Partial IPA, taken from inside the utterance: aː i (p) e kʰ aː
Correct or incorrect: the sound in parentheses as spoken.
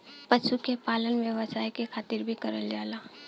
incorrect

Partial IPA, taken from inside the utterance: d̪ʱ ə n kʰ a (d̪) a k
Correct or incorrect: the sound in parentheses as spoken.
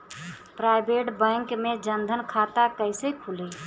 incorrect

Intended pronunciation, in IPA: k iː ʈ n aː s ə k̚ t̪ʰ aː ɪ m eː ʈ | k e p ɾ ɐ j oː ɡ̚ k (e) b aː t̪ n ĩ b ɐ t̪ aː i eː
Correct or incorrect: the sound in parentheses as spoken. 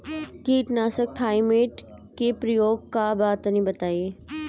incorrect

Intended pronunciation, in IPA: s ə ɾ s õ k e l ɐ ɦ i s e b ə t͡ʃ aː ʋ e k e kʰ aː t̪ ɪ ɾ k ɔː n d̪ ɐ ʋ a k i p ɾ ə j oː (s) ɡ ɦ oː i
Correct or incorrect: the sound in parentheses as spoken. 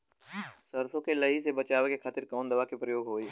incorrect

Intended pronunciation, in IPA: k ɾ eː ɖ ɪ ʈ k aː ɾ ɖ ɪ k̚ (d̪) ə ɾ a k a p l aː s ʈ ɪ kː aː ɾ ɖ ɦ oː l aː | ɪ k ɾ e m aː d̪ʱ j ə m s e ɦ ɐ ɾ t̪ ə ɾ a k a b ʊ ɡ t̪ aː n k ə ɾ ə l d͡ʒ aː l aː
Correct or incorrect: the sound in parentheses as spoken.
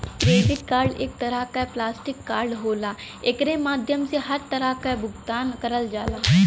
incorrect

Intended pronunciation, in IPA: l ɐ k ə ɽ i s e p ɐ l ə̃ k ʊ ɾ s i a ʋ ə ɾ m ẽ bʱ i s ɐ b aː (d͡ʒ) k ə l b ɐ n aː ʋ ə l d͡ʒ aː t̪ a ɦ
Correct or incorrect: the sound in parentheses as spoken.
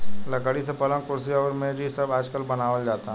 correct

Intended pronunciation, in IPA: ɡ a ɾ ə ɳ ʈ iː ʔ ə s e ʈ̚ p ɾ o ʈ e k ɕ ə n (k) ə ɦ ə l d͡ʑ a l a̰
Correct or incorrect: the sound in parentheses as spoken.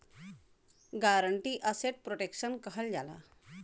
correct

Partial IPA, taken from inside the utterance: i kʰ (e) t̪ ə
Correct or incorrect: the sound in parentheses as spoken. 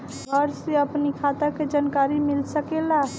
incorrect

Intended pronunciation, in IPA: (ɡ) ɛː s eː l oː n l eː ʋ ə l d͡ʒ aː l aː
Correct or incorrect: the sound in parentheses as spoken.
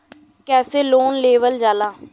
incorrect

